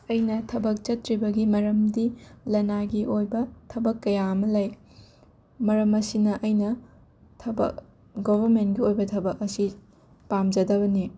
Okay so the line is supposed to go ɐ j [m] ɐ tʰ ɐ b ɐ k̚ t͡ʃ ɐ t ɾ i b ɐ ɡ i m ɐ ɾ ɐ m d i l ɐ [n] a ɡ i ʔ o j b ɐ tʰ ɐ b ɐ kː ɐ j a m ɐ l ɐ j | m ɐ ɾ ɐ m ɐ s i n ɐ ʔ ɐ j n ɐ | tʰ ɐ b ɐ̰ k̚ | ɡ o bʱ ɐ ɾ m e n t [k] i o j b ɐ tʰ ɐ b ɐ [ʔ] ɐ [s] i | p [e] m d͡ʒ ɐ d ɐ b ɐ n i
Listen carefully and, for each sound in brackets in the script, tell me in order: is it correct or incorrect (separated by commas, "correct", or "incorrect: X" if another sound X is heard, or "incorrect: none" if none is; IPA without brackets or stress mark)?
incorrect: n, correct, incorrect: ɡ, incorrect: k, correct, incorrect: a